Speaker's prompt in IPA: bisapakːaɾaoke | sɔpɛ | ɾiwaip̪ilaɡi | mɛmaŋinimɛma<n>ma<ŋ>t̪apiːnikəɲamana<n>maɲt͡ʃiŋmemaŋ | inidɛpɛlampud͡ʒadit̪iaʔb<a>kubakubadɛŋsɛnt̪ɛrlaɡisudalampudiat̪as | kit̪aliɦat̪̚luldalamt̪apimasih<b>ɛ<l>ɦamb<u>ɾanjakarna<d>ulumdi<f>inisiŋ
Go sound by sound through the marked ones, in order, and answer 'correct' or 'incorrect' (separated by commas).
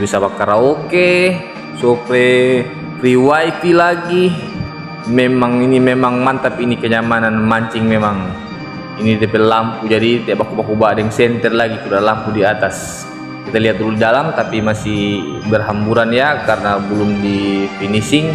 incorrect, incorrect, correct, correct, correct, incorrect, correct, incorrect, correct